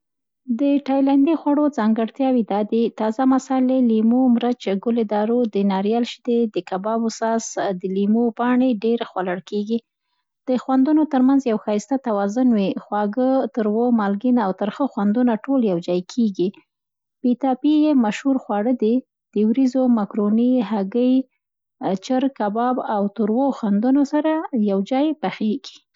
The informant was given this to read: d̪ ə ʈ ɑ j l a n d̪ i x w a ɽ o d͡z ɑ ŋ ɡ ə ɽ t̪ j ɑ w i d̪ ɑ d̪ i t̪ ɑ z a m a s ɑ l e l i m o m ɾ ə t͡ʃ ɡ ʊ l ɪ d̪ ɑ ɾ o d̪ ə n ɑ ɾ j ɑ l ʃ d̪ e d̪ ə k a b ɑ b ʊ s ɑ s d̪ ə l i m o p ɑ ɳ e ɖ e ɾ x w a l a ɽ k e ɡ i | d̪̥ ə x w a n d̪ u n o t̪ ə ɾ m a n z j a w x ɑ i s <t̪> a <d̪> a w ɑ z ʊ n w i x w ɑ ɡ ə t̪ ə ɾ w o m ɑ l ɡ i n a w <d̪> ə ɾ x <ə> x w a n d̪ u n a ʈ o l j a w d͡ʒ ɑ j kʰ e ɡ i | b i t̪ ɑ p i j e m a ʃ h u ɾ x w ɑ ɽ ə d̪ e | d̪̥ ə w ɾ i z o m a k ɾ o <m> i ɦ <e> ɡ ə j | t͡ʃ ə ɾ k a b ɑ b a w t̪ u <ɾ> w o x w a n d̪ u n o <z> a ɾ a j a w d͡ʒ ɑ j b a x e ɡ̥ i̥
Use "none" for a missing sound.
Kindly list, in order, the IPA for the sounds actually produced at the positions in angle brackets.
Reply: t̪, t̪, t̪, ə, n, a, ɾ, s

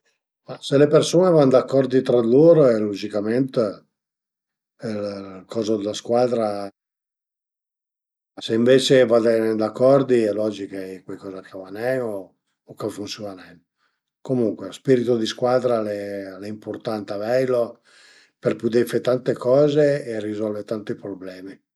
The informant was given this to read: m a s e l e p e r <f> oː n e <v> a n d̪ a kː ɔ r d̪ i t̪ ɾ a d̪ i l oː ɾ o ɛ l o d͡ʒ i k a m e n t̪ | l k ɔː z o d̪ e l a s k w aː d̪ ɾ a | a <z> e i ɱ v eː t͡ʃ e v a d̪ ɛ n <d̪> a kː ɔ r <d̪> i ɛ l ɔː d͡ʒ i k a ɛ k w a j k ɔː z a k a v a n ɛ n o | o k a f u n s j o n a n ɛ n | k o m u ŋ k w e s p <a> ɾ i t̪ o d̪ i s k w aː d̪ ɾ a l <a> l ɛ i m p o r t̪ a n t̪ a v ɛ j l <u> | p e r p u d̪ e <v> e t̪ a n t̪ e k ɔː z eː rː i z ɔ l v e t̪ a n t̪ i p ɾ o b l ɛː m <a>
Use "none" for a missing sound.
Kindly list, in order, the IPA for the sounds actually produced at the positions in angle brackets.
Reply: s, v, s, d̪, d̪, i, ɛ, o, f, i

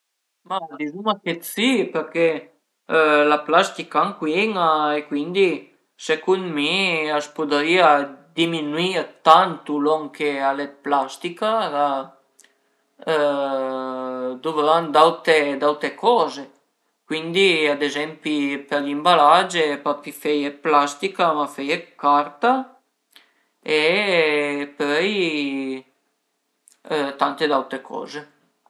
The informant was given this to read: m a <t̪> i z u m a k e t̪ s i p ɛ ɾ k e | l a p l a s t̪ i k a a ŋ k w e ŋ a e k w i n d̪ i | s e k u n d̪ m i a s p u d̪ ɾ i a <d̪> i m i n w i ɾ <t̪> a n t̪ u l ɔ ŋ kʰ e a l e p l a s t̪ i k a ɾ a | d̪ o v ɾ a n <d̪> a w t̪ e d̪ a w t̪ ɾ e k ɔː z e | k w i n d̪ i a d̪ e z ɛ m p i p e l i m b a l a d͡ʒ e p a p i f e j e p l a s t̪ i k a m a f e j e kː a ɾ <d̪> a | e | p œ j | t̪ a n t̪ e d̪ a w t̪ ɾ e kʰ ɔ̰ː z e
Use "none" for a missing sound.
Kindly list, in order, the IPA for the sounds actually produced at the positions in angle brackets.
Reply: d̪, d̪, t̪, d̪, t̪

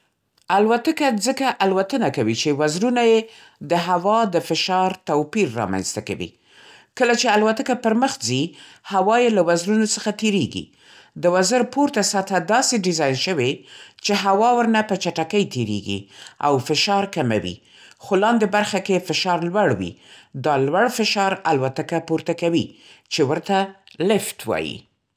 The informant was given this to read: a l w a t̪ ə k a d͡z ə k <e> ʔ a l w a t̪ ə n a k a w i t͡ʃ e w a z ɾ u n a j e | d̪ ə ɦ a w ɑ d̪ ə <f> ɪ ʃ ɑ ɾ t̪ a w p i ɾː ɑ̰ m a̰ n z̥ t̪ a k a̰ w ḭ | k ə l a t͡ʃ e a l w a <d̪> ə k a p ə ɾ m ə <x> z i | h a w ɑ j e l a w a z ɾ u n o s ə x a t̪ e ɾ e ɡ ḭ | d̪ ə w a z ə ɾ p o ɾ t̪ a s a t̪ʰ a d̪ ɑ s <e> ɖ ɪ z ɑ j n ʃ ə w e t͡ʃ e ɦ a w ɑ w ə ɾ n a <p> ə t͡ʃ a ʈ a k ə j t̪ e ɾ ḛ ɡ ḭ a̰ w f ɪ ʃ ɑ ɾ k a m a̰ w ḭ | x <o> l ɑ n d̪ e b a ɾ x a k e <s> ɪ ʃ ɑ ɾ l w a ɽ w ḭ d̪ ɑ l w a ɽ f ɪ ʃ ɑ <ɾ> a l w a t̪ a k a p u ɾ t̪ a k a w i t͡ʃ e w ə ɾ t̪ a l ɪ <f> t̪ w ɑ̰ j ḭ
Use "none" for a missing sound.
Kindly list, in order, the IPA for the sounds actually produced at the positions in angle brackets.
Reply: a, f, t̪, x, e, p, o, f, ɾ, f

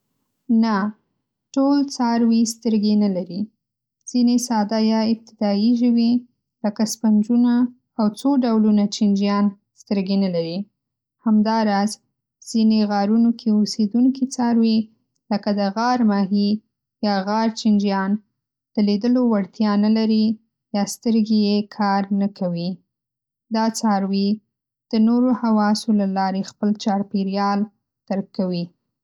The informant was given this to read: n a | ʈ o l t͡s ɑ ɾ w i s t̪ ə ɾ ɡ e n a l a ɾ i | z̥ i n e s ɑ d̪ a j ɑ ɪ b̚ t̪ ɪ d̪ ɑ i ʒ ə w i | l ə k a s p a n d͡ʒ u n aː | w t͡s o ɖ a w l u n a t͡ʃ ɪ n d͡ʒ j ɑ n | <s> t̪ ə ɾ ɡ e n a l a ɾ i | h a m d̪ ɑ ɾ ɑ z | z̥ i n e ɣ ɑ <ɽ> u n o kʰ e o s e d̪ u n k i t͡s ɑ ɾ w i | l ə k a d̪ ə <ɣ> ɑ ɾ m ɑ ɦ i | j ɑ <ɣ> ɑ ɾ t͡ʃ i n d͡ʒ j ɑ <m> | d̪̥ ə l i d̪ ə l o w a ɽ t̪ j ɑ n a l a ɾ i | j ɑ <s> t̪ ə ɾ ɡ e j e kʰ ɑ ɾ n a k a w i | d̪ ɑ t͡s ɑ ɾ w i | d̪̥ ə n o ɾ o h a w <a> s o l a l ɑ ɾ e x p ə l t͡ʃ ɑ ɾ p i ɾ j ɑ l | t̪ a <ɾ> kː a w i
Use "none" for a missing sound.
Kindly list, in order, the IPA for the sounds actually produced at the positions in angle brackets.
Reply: s, ɾ, ɣ, ɣ, n, s, ɑ, ɾ

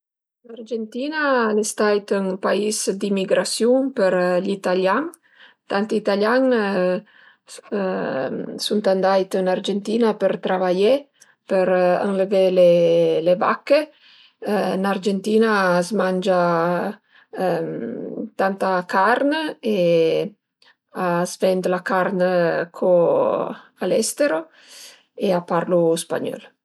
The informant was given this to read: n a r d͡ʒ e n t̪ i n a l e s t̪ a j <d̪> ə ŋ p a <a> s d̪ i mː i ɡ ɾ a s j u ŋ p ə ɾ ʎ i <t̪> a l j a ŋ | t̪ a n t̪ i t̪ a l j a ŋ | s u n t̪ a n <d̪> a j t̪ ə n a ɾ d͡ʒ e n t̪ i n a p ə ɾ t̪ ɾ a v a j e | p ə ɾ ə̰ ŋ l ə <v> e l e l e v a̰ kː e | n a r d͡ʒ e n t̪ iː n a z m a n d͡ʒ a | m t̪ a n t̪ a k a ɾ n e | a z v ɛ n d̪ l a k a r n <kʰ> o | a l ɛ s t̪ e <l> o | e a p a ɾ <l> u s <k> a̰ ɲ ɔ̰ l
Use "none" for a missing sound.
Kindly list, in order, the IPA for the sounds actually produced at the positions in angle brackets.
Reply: t̪, i, t̪, d̪, v, kʰ, ɾ, l, p

